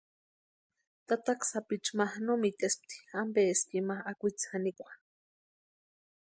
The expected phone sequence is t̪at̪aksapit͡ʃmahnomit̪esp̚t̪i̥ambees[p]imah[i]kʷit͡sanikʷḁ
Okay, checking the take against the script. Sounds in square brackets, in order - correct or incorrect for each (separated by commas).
incorrect, incorrect